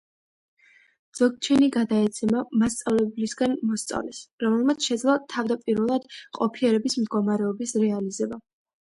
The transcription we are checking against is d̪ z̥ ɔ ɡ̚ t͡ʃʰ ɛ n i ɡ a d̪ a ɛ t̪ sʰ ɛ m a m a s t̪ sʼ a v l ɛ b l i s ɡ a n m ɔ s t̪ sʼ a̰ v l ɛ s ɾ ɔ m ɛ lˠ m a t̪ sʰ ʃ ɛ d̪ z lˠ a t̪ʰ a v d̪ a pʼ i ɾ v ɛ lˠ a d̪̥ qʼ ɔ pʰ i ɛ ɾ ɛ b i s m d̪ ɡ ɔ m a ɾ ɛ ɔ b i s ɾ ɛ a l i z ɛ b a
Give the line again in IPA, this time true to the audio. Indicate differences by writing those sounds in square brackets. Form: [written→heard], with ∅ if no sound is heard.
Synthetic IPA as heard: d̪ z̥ ɔ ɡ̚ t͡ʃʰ ɛ n i ɡ a d̪ a ɛ t̪ sʰ ɛ m a m a s t̪ sʼ a v l ɛ b l i s ɡ a n m ɔ s t̪ sʼ a̰ v l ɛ s ɾ ɔ m ɛ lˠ m a t̪ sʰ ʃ ɛ d̪ z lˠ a t̪ʰ a v d̪ a pʼ i ɾ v ɛ lˠ a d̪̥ qʼ ɔ pʰ i ɛ ɾ ɛ b i s m d̪ ɡ ɔ m a ɾ ɛ ɔ b i s ɾ ɛ a l i z ɛ b a

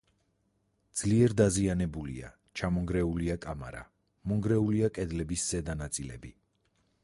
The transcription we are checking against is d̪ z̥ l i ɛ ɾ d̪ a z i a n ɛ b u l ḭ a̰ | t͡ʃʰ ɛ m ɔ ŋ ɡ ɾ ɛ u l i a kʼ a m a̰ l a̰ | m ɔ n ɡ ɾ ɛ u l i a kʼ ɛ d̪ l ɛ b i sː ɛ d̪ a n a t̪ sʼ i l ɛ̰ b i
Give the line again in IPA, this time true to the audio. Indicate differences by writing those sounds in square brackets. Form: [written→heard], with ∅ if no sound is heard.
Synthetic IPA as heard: d̪ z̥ l i ɛ ɾ d̪ a z i a n ɛ b u l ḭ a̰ | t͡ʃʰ [ɛ→a] m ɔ ŋ ɡ ɾ ɛ u l i a kʼ a m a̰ [l→ɾ] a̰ | m ɔ [n→ŋ] ɡ ɾ ɛ u l i a kʼ ɛ d̪ l ɛ b i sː ɛ d̪ a n a t̪ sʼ i l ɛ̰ b i

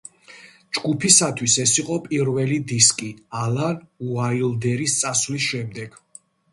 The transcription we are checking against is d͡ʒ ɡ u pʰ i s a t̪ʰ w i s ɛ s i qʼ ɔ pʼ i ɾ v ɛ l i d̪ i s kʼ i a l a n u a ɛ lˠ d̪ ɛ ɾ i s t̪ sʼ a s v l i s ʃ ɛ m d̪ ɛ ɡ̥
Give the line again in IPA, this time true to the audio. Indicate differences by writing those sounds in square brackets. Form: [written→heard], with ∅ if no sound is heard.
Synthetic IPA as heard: d͡ʒ ɡ u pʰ i s a t̪ʰ w i s ɛ s i qʼ ɔ pʼ i ɾ v ɛ l i d̪ i s kʼ i a l a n u a [ɛ→i] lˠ d̪ ɛ ɾ i s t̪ sʼ a s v l i s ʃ ɛ m d̪ ɛ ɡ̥

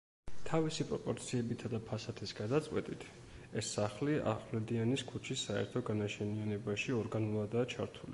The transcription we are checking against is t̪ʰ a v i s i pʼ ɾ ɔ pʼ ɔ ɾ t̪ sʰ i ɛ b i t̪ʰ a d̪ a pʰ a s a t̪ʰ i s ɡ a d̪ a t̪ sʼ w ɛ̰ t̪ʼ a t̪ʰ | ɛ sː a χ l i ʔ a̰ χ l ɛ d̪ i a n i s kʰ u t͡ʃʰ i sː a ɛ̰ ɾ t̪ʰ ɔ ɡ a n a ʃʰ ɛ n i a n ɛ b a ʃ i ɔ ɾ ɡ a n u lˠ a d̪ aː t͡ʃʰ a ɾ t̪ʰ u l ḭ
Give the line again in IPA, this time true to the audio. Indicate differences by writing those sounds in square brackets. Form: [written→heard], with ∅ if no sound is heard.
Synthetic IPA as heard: t̪ʰ a v i s i pʼ ɾ ɔ pʼ ɔ ɾ t̪ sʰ i ɛ b i t̪ʰ a d̪ a pʰ a s a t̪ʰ i s ɡ a d̪ a t̪ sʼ w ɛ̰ t̪ʼ [a→i] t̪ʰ | ɛ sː a χ l i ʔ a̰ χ l ɛ d̪ i a n i s kʰ u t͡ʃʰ i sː a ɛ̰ ɾ t̪ʰ ɔ ɡ a n a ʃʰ ɛ n i a n ɛ b a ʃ i ɔ ɾ ɡ a n u lˠ a d̪ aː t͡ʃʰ a ɾ t̪ʰ u l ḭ

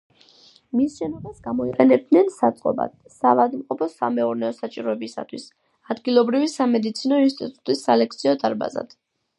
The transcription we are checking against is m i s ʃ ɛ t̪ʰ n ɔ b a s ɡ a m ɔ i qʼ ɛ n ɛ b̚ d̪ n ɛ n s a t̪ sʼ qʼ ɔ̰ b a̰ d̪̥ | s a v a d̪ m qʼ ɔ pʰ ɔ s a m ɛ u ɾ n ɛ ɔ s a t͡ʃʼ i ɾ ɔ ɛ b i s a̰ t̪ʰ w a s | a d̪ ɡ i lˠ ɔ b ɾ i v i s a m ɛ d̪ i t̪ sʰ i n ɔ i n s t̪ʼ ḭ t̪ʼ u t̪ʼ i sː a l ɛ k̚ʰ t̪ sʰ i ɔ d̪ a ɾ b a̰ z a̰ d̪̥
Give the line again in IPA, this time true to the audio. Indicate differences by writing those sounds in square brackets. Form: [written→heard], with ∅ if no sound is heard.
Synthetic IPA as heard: m i s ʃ ɛ [t̪ʰ→∅] n ɔ b a s ɡ a m ɔ i qʼ ɛ n ɛ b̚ d̪ n ɛ n s a t̪ sʼ qʼ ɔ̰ b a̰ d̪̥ | s a v a d̪ m qʼ ɔ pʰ ɔ s a m ɛ u ɾ n ɛ ɔ s a t͡ʃʼ i ɾ ɔ ɛ b i s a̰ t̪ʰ w [a→i] s | a d̪ ɡ i lˠ ɔ b ɾ i v i s a m ɛ d̪ i t̪ sʰ i n ɔ i n s t̪ʼ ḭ t̪ʼ u t̪ʼ i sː a l ɛ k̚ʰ t̪ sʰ i ɔ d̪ a ɾ b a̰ z a̰ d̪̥

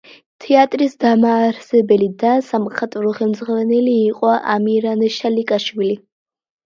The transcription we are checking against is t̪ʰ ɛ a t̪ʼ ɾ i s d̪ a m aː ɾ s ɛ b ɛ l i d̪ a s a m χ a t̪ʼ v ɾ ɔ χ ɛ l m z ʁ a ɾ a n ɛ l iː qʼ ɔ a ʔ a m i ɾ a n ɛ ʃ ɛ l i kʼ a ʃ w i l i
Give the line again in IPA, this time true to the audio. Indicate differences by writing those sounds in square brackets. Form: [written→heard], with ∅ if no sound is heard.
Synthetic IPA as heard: t̪ʰ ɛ a t̪ʼ ɾ i s d̪ a m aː ɾ s ɛ b ɛ l i d̪ a s a m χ a t̪ʼ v ɾ ɔ χ ɛ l m z ʁ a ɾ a n ɛ l iː qʼ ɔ a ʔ a m i ɾ a n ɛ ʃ [ɛ→a] l i kʼ a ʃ w i l i

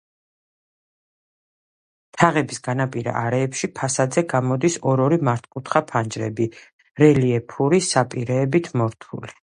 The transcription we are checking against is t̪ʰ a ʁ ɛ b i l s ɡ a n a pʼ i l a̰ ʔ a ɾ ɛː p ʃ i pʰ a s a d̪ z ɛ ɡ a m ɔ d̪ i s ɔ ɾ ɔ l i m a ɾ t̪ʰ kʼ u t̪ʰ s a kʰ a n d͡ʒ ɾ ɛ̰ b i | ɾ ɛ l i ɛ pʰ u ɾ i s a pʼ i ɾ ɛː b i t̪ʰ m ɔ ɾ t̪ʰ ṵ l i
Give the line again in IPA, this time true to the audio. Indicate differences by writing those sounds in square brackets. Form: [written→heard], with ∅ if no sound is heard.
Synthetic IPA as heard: t̪ʰ a ʁ ɛ b i [l→∅] s ɡ a n a pʼ i [l→ɾ] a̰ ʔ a ɾ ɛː p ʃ i pʰ a s a d̪ z ɛ ɡ a m ɔ d̪ i s ɔ ɾ ɔ [l→ɾ] i m a ɾ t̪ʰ kʼ u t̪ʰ [s→χ] a [kʰ→pʰ] a n d͡ʒ ɾ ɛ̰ b i | ɾ ɛ l i ɛ pʰ u ɾ i s a pʼ i ɾ ɛː b i t̪ʰ m ɔ ɾ t̪ʰ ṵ l i

